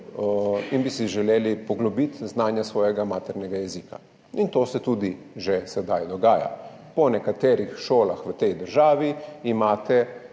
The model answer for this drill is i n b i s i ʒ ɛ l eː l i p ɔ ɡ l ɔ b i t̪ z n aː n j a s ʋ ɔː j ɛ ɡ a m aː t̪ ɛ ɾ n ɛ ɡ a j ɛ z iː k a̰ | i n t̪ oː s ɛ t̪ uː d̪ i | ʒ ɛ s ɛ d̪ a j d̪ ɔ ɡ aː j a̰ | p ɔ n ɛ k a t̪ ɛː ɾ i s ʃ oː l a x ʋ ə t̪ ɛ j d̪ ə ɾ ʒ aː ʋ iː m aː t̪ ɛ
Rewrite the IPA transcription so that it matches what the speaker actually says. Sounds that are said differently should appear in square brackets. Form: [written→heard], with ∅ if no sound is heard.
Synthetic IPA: i n b i s i ʒ ɛ l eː l i p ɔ ɡ l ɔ b i t̪ z n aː n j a s ʋ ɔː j ɛ ɡ a m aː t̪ ɛ ɾ n ɛ ɡ a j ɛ z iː k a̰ | i n t̪ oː s ɛ t̪ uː d̪ i | ʒ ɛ s ɛ d̪ a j d̪ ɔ ɡ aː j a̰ | p ɔ n ɛ k a t̪ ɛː ɾ i [s→x] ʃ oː l a x ʋ ə t̪ ɛ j d̪ ə ɾ ʒ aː ʋ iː m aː t̪ ɛ